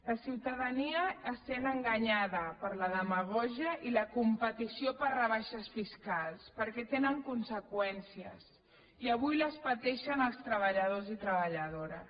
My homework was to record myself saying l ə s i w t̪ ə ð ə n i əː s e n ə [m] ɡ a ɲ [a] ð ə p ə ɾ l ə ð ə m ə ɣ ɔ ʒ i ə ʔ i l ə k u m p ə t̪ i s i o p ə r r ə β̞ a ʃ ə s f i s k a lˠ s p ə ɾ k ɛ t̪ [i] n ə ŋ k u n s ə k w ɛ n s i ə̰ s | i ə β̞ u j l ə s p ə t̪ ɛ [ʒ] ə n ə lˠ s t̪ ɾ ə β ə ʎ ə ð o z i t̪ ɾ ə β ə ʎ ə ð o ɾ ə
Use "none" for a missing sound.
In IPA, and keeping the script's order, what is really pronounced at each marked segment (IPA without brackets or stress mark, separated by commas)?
ŋ, a, e, ʃ